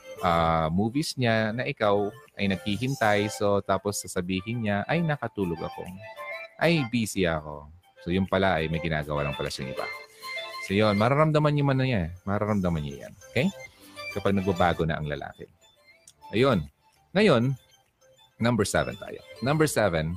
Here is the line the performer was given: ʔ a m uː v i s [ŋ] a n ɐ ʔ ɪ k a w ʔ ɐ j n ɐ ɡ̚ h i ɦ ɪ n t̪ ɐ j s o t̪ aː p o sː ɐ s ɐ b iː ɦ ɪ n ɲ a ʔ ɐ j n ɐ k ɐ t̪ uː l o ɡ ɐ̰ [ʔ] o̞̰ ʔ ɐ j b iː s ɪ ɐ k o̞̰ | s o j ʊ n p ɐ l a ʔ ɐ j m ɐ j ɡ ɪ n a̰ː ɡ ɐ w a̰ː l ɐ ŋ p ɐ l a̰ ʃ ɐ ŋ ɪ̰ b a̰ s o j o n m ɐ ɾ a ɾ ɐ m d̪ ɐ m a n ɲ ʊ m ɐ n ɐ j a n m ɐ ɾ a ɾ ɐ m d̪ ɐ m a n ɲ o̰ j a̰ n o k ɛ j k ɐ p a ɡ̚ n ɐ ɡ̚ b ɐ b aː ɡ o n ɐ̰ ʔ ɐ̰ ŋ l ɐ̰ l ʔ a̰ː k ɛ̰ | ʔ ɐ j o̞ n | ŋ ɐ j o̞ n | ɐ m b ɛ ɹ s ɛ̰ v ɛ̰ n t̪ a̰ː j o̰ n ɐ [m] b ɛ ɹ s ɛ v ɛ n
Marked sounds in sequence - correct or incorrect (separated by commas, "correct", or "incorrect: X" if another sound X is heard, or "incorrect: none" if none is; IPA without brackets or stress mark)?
incorrect: ɲ, incorrect: k, correct